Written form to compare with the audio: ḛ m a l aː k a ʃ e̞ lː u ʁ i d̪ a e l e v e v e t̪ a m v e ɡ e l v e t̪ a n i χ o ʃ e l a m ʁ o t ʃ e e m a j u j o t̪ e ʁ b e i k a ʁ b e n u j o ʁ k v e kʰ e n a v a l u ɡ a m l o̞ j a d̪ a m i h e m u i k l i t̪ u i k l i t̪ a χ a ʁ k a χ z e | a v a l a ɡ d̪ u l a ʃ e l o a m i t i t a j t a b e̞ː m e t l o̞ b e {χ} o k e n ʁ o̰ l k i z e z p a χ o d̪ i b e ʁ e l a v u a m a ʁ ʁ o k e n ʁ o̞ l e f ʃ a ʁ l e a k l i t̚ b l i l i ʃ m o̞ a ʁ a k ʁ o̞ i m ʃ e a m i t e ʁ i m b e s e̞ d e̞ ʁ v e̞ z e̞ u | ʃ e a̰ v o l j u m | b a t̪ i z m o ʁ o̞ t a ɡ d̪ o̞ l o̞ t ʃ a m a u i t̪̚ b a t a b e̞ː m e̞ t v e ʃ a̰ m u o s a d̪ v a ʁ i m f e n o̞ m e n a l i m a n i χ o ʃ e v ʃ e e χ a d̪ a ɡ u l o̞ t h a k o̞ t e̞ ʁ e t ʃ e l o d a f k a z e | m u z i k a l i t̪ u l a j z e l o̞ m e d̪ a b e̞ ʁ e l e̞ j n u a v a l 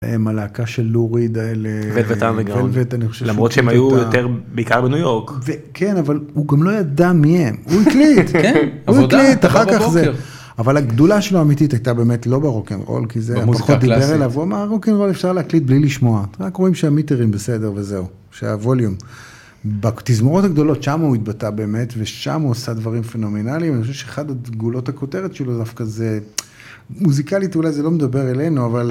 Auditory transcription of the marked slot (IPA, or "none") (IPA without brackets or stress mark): ʁ